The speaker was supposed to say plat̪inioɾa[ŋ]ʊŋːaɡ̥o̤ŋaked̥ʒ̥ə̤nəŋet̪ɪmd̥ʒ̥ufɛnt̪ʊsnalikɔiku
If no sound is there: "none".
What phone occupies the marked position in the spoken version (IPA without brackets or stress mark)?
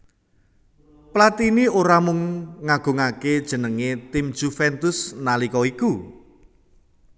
m